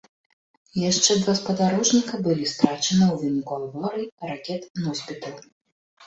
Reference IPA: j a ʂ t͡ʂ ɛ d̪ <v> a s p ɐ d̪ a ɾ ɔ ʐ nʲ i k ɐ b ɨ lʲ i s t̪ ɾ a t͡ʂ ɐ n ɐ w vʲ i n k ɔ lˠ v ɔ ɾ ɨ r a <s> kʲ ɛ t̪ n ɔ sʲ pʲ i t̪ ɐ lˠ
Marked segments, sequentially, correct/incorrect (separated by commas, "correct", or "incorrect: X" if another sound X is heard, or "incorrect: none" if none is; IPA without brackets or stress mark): correct, incorrect: none